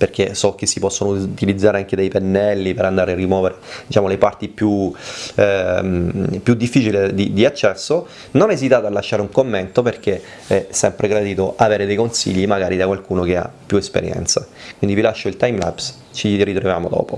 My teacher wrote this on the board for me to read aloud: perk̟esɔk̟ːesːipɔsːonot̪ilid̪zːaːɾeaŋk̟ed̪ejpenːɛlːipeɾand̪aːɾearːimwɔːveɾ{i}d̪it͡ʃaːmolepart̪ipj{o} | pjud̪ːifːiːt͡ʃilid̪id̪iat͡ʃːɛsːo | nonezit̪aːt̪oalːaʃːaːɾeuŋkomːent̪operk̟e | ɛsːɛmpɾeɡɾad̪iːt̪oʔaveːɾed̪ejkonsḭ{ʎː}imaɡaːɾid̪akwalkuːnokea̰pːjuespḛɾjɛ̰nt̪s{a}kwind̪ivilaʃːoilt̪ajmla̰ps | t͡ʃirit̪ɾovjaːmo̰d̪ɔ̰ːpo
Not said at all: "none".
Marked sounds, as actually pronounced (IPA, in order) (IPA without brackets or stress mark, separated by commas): e, u, ʎː, a